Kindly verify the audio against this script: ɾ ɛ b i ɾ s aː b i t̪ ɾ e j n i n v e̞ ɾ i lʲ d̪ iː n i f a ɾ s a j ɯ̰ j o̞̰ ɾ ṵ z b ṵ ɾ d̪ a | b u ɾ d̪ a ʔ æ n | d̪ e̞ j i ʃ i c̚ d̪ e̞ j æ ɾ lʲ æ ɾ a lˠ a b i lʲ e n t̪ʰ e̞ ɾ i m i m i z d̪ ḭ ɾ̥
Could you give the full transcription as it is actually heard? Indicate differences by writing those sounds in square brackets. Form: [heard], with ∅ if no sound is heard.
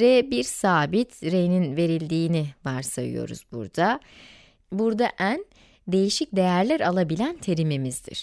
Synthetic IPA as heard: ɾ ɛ b i ɾ s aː b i t̪ ɾ e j n i n v e̞ ɾ i lʲ d̪ iː n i [v] a ɾ s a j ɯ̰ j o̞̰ ɾ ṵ z b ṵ ɾ d̪ a | b u ɾ d̪ a ʔ æ n | d̪ e̞ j i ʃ i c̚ d̪ e̞ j æ ɾ lʲ æ ɾ a lˠ a b i lʲ [æ] n t̪ʰ e̞ ɾ i m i m i z d̪ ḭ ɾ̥